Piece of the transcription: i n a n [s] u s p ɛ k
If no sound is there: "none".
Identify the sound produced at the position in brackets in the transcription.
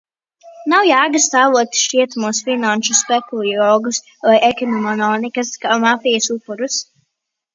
ʃ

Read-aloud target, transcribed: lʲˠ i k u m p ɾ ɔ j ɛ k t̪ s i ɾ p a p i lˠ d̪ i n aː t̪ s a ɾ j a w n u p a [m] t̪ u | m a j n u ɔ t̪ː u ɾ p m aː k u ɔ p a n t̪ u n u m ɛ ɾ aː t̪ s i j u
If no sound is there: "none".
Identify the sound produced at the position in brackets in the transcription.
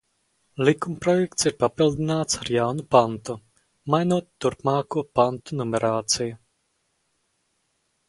n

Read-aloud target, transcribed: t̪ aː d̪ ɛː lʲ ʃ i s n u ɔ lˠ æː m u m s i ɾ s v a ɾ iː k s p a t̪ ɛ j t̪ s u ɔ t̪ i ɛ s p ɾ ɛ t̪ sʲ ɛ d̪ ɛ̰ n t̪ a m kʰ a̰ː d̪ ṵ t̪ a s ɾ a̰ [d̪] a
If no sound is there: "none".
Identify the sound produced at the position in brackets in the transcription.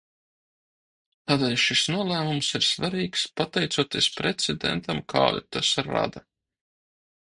d̪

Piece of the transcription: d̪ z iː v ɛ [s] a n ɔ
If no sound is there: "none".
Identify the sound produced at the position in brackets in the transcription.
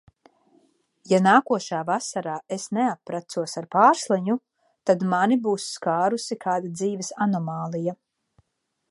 s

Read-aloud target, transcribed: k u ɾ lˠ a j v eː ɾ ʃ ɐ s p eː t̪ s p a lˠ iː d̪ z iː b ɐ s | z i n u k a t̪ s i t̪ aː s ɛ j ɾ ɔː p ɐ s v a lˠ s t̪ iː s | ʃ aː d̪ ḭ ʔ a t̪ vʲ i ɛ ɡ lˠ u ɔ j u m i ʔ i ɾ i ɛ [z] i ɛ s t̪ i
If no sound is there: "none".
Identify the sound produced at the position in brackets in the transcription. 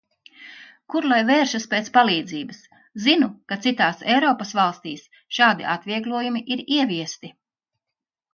v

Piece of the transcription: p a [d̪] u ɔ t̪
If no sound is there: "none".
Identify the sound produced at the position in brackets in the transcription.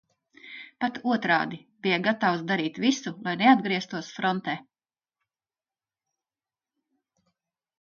t̪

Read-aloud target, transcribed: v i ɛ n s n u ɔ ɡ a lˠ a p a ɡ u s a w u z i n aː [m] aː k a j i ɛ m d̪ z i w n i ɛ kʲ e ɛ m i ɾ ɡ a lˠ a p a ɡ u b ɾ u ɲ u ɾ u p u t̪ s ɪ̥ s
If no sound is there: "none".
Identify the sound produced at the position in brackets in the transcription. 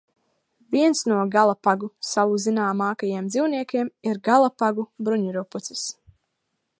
m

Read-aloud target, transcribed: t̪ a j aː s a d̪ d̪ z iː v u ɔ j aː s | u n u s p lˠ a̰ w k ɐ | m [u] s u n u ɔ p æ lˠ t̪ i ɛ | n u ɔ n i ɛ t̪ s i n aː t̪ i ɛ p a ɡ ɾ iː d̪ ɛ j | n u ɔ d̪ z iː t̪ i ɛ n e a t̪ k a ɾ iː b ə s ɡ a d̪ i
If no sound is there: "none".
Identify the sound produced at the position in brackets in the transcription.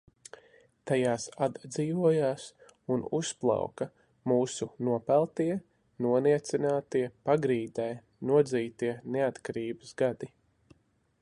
uː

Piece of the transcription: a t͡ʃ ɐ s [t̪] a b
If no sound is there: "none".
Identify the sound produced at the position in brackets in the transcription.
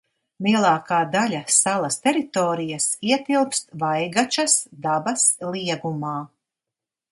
d̪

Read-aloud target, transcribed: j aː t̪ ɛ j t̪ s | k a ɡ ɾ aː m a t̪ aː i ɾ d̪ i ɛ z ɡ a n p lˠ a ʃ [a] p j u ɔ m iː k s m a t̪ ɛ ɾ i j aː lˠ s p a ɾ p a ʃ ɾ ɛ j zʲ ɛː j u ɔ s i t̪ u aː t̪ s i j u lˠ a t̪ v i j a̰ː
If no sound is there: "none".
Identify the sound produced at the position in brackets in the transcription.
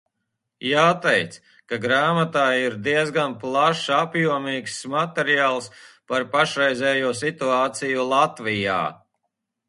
a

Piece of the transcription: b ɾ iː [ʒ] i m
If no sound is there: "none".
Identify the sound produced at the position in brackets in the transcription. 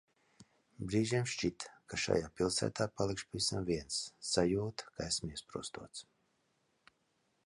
ʒ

